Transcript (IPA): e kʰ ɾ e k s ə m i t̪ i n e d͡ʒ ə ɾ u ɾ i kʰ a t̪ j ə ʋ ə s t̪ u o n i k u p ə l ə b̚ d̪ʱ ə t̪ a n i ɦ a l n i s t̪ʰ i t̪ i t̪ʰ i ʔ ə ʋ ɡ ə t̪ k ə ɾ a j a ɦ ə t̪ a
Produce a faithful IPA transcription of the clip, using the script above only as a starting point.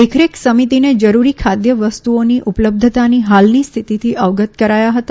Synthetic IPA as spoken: e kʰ ɾ e k s ə m i t̪ i n e d͡ʒ ə ɾ u ɾ i kʰ a d̪ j ə ʋ ə s t̪ u o n i ʔ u p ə l ə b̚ d̪ʱ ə t̪ a n i ɦ a l n i s t̪ʰ i t̪ i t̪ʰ i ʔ ə ʋ ɡ ə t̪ k ə ɾ a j a ɦ ə t̪ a

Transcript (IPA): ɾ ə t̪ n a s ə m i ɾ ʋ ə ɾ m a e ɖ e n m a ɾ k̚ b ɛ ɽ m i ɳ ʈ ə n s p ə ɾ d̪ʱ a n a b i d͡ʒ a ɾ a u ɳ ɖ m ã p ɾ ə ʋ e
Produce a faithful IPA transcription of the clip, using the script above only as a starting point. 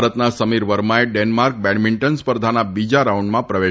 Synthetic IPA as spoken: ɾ ə t̪ n a s ə m i ɾ ʋ ə ɾ m a e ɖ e n m a ɾ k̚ b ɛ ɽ m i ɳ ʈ ə n s p ə ɾ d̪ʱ a n a b i d͡ʒ a ɾ a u ɳ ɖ m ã p ɾ ə ʋ e

